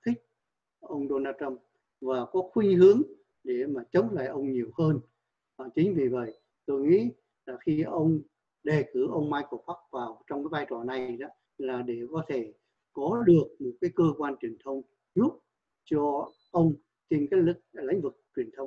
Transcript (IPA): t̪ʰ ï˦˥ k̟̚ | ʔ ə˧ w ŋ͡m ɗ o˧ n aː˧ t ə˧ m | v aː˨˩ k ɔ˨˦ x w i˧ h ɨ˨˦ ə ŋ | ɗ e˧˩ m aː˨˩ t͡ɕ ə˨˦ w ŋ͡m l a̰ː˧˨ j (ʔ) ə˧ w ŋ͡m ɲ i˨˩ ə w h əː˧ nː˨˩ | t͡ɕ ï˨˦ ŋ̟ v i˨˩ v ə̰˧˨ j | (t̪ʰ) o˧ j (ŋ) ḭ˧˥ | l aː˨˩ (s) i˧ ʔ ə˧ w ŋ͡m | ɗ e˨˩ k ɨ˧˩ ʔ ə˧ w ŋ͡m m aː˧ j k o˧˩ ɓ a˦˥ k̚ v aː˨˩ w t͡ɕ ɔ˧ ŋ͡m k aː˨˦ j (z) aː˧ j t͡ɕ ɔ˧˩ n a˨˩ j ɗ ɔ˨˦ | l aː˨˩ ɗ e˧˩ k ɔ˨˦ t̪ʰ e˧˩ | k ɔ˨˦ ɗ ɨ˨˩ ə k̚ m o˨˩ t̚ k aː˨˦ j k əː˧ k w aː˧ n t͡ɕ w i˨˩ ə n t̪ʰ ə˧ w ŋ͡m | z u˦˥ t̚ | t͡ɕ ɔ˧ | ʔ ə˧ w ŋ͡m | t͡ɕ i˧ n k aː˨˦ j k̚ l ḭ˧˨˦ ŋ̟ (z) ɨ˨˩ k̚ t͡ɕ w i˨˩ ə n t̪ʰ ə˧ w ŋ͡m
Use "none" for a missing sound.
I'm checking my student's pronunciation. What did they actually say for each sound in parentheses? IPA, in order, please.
ʔ, t̪, ŋ, x, v, v

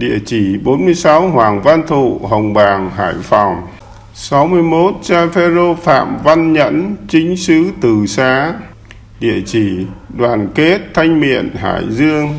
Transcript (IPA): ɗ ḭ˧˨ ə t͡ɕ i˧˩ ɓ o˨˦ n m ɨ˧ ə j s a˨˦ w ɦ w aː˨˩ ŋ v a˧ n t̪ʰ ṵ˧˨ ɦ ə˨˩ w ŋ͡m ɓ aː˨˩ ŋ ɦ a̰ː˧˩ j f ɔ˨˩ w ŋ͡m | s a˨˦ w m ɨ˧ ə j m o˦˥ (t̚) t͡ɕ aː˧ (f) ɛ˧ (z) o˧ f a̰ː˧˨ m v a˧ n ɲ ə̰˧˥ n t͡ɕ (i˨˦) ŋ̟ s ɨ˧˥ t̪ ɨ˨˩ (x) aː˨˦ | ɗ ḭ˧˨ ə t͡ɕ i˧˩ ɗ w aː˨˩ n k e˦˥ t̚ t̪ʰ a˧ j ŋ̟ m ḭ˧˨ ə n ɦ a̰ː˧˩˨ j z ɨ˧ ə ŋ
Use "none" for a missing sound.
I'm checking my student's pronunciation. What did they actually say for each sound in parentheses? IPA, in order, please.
t̚, f, z, i˨˦, s

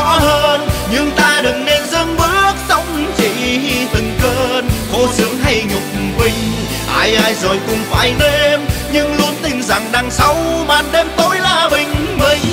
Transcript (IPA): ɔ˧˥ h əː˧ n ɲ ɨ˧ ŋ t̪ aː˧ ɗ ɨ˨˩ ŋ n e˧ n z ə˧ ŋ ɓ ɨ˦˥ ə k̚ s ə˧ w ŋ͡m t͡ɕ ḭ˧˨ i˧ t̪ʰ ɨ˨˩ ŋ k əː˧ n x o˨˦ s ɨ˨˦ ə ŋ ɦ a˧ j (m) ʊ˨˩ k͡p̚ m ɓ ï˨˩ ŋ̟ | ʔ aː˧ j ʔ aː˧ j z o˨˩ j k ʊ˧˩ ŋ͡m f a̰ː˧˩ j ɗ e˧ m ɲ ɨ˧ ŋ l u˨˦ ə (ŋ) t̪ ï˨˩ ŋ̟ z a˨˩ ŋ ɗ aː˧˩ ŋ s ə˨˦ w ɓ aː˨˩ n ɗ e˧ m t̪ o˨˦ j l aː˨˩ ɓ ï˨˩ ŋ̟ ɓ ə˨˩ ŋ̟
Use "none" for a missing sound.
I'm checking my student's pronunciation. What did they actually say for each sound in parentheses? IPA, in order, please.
ɲ, n

